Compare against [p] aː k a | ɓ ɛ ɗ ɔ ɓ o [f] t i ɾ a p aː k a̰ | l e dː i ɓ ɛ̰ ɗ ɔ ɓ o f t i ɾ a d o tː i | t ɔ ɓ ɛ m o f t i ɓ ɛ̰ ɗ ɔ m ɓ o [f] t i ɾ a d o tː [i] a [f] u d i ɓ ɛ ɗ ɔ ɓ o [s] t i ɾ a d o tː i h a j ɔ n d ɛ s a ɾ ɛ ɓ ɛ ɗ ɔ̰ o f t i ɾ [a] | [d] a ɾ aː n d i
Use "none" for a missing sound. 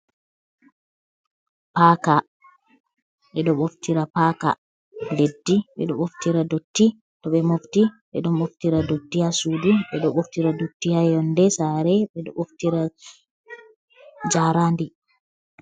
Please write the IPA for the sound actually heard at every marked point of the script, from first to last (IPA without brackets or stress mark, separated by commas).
p, f, f, i, s, f, a, d͡ʒ